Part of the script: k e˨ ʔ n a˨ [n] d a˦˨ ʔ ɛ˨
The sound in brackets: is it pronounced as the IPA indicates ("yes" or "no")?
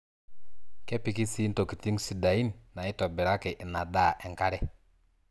no